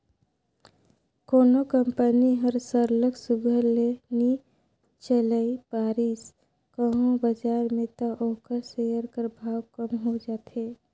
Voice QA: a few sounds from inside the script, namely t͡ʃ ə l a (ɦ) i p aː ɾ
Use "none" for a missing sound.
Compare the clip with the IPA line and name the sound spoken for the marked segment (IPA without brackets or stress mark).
none